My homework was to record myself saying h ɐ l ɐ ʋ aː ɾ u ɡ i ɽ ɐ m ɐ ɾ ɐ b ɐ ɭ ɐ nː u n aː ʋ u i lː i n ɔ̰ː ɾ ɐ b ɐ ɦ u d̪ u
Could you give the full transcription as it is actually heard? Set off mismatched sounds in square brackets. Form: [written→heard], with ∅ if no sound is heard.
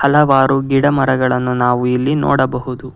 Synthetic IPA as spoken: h ɐ l ɐ ʋ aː ɾ u ɡ i ɽ ɐ m ɐ ɾ ɐ [b→ɡ] ɐ ɭ ɐ nː u n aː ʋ u i lː i n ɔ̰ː [ɾ→ɽ] ɐ b ɐ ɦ u d̪ u